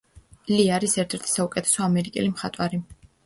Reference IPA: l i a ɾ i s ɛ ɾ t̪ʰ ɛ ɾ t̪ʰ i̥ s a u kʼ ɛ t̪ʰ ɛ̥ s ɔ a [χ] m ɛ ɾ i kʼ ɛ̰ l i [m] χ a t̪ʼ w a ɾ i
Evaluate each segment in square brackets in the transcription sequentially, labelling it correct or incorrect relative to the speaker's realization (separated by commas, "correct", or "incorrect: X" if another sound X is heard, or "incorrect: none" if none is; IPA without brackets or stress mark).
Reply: incorrect: none, correct